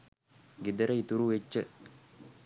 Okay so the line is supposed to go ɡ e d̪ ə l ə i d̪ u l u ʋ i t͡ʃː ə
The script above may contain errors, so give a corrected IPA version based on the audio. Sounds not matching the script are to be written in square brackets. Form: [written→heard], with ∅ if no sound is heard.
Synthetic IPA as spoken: ɡ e d̪ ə [l→ɾ] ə i [d̪→t̪] u [l→ɾ] u ʋ [i→e] t͡ʃː ə